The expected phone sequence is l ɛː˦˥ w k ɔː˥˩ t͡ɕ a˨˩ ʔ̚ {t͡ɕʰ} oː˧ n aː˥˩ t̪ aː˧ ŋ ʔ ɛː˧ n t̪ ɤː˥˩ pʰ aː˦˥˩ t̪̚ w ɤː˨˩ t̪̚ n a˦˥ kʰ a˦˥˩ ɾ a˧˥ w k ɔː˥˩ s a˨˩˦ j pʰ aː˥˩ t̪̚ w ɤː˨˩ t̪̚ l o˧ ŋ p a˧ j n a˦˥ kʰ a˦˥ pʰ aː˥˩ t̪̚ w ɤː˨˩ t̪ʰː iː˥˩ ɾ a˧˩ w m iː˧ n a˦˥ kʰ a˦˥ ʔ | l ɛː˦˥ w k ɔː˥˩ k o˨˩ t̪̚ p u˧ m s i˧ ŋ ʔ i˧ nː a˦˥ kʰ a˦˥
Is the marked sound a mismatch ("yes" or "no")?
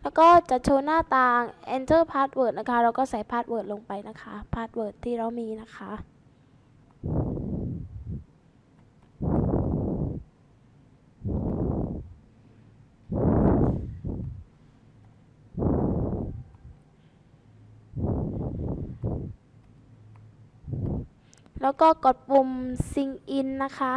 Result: no